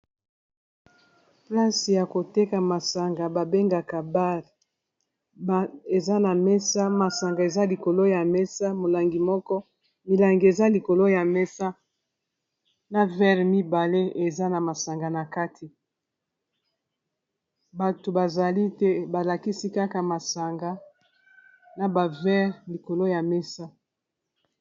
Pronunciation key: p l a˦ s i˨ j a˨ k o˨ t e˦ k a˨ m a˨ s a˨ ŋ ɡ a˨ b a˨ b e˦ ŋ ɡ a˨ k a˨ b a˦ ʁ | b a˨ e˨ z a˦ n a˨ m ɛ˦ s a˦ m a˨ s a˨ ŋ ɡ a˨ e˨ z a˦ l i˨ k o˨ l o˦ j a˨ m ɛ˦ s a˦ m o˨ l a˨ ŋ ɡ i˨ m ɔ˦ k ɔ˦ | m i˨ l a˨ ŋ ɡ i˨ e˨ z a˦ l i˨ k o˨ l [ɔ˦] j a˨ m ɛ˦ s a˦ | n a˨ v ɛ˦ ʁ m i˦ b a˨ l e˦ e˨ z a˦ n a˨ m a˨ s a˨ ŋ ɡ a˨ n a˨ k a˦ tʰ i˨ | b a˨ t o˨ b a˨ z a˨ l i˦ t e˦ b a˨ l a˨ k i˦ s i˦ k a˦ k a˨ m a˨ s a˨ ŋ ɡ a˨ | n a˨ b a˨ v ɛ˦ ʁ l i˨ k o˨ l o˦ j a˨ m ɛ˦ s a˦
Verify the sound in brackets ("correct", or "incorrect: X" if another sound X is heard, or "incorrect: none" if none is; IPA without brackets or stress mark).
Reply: incorrect: o˦